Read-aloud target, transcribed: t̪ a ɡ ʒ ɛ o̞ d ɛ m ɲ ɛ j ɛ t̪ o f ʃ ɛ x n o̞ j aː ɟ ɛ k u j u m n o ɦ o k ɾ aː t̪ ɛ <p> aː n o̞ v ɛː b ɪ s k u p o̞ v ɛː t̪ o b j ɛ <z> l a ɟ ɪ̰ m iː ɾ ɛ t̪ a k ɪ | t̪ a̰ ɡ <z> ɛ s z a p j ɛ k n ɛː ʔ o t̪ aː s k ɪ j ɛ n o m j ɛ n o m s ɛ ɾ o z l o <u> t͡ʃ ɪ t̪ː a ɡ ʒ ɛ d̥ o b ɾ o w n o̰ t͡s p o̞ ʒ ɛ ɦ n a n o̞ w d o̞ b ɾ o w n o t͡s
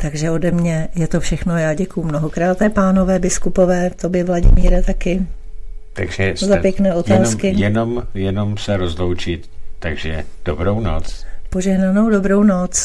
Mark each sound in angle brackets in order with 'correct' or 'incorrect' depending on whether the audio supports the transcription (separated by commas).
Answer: correct, incorrect, incorrect, incorrect